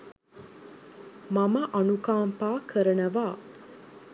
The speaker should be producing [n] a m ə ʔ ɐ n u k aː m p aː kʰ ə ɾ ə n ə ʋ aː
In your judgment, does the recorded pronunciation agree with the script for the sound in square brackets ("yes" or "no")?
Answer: no